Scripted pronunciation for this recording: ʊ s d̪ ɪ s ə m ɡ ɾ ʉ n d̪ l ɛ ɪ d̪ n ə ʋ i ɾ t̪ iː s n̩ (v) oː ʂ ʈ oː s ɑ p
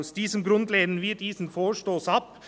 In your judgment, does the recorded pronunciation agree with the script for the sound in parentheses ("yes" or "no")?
no